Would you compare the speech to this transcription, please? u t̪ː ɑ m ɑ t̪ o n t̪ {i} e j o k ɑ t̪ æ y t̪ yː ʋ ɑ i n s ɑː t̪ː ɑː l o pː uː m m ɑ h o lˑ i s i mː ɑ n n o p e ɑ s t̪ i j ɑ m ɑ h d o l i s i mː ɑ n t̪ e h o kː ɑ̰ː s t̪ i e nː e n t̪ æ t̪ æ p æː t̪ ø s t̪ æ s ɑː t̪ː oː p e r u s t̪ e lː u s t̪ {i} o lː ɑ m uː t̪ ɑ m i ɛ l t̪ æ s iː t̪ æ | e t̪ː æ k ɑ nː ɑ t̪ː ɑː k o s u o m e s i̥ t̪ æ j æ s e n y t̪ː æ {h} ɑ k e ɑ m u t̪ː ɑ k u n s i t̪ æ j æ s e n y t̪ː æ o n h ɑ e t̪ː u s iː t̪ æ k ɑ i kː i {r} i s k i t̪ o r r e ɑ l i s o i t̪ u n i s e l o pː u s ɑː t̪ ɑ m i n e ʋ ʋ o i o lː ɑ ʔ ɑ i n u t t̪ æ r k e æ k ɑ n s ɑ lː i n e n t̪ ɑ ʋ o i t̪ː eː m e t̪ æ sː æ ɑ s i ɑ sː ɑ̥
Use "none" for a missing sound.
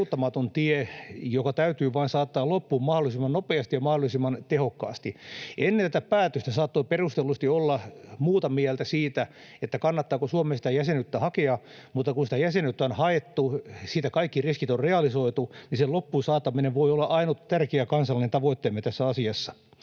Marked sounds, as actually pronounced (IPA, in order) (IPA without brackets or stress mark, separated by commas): i, i, h, r